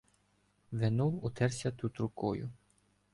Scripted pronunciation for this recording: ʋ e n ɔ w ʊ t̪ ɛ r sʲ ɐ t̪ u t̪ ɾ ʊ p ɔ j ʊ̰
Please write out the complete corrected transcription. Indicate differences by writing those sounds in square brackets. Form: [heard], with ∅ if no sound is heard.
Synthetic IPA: ʋ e n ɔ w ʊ t̪ ɛ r sʲ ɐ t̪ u t̪ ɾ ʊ [k] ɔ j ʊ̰